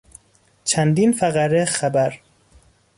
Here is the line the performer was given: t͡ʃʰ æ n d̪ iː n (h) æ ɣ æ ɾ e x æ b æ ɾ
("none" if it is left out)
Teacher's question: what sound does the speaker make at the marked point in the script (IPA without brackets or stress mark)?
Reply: f